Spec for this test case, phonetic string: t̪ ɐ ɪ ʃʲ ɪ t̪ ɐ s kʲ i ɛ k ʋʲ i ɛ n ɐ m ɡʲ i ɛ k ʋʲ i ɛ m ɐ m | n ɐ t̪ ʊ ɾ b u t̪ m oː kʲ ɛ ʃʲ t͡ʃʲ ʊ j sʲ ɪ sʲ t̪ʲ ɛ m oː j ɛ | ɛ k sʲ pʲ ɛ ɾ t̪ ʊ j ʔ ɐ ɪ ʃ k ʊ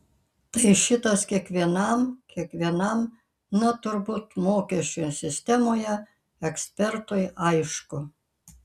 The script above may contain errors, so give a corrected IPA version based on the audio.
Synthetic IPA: t̪ ɐ ɪ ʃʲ ɪ t̪ ɐ s kʲ i ɛ k ʋʲ i ɛ n ɐ m kʲ i ɛ k ʋʲ i ɛ n ɐ m | n ɐ t̪ ʊ ɾ b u t̪ m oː kʲ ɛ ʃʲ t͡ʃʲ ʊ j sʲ ɪ sʲ t̪ʲ ɛ m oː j ɛ | ɛ k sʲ pʲ ɛ ɾ t̪ ʊ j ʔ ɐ ɪ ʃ k ʊ